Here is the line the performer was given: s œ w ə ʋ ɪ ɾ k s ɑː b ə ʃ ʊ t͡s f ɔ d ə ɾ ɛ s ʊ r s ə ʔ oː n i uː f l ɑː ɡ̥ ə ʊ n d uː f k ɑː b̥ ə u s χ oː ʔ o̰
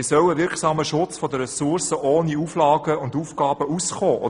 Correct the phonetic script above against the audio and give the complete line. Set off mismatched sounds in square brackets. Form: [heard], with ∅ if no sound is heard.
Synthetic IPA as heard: s œ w ə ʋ ɪ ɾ k s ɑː [m] ə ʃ ʊ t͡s f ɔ d ə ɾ ɛ s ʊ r s ə ʔ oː n i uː f l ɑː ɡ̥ ə ʊ n d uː f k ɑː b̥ ə u s χ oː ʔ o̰